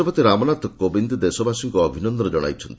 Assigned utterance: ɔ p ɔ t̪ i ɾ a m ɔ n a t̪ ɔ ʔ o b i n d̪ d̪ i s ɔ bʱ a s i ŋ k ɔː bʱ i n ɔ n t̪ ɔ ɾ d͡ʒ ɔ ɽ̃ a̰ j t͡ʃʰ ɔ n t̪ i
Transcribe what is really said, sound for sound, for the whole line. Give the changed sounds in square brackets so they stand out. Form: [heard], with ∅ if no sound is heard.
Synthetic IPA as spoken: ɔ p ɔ t̪ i ɾ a m ɔ n a t̪ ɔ [k] o b i n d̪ d̪ [e] s ɔ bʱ a s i ŋ k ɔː bʱ i n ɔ n [d̪] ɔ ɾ d͡ʒ ɔ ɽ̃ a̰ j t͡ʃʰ ɔ n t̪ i

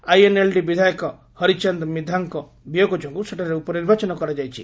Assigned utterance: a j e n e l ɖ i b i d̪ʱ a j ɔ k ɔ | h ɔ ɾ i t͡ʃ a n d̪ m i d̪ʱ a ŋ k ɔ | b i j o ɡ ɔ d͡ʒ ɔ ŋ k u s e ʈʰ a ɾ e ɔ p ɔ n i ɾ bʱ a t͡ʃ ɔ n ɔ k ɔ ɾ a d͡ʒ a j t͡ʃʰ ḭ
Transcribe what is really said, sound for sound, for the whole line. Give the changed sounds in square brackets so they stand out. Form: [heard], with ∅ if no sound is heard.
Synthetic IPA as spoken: a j e n e l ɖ i b i d̪ʱ a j ɔ k ɔ | h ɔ ɾ i t͡ʃ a n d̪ m i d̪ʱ a ŋ k ɔ | b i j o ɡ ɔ d͡ʒ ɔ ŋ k u s e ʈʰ a ɾ e [u] p ɔ n i ɾ bʱ a t͡ʃ ɔ n ɔ k ɔ ɾ a d͡ʒ a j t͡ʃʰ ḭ

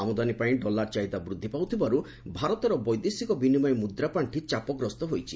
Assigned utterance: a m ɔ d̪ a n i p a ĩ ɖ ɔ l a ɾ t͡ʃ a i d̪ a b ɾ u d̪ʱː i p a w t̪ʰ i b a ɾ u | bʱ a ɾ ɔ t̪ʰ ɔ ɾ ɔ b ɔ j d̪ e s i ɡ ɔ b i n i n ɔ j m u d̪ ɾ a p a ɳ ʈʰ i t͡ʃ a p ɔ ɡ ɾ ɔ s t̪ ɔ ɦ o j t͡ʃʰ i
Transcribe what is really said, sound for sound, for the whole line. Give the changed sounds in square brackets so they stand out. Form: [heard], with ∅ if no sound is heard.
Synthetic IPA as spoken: a m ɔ d̪ a n i p a ĩ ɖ ɔ l a ɾ t͡ʃ a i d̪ a b ɾ u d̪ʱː i p a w t̪ʰ i b a ɾ u | bʱ a ɾ ɔ [t̪] ɔ ɾ ɔ b ɔ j d̪ e s i [k] ɔ b i n i [m] ɔ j m u d̪ ɾ a p a ɳ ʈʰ i t͡ʃ a p ɔ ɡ ɾ ɔ s t̪ ɔ ɦ o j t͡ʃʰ i

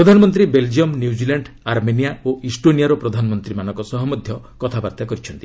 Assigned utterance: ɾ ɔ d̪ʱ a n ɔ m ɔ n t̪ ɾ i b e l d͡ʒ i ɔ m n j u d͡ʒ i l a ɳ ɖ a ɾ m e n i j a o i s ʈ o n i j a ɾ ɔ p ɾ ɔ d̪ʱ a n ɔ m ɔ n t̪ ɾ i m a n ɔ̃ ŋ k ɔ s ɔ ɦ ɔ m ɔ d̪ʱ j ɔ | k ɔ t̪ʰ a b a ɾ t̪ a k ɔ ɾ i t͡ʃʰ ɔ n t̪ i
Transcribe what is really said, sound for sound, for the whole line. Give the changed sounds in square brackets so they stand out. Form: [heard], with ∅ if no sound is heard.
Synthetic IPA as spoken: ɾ ɔ d̪ʱ a n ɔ m ɔ n t̪ ɾ i b e l d͡ʒ i ɔ m n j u d͡ʒ i l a ɳ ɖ a ɾ m e n i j a o i s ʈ o n i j a ɾ ɔ p ɾ ɔ d̪ʱ a n ɔ m ɔ n t̪ ɾ i m a n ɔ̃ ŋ k ɔ s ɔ ɦ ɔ m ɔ d̪ʱ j ɔ | k ɔ t̪ʰ a b a ɾ t̪ a k ɔ ɾ i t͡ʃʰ ɔ n t̪ i

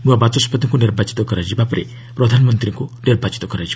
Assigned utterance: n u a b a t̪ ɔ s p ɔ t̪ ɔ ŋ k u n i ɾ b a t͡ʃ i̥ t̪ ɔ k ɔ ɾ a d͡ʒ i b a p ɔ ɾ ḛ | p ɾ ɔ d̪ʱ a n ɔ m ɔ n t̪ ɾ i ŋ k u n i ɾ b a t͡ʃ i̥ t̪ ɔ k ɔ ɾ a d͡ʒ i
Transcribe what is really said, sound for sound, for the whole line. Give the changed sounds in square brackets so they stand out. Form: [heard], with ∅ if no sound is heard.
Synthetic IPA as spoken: n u a b a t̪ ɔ s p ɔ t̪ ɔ ŋ k u n i ɾ b a t͡ʃ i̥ t̪ ɔ k ɔ ɾ a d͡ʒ i b a p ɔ ɾ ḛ | p ɾ ɔ d̪ʱ a n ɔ m ɔ n t̪ ɾ i ŋ k u n i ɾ b a t͡ʃ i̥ t̪ ɔ k ɔ ɾ a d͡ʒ i

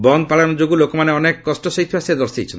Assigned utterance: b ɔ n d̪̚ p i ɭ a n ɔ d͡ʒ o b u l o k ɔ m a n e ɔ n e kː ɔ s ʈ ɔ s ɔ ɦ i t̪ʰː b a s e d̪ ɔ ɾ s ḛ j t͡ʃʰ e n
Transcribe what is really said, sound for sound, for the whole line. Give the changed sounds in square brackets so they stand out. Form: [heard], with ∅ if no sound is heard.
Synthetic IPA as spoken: b ɔ n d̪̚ p [a] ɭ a n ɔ d͡ʒ o [ɡ] u l o k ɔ m a n e ɔ n e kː ɔ s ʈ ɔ s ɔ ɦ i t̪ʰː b a s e d̪ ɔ ɾ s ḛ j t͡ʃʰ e n

